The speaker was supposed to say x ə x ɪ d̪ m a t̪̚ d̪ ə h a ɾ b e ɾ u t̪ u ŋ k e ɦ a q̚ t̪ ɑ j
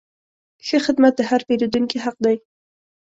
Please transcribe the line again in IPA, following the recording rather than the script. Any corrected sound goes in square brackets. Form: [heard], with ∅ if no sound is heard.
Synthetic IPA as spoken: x ə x ɪ d̪ m a t̪̚ d̪ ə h a ɾ [p] e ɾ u [d̪] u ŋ k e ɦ a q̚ [d̪] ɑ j